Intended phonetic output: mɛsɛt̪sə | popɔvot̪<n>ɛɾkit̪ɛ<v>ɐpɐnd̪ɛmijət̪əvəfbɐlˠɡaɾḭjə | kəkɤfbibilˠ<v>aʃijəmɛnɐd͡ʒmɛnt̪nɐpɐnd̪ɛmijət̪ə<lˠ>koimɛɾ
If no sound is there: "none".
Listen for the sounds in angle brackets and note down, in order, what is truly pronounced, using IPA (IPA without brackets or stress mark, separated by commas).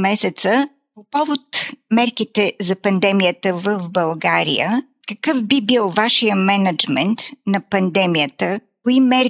m, z, v, none